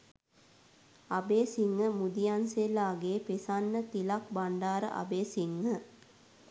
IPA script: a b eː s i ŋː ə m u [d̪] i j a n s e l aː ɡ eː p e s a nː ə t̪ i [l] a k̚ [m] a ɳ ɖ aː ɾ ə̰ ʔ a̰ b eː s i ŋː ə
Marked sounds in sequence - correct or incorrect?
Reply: correct, correct, incorrect

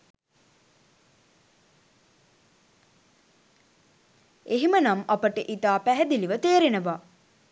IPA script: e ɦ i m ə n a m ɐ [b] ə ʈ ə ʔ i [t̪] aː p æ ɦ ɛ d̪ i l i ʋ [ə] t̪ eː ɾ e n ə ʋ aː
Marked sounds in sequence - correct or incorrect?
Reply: incorrect, correct, correct

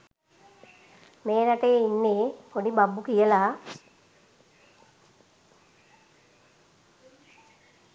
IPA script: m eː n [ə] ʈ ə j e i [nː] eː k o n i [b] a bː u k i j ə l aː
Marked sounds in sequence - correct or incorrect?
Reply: incorrect, correct, correct

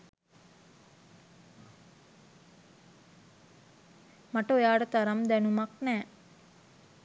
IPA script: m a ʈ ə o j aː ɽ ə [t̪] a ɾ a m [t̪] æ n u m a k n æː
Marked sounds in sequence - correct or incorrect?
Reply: correct, incorrect

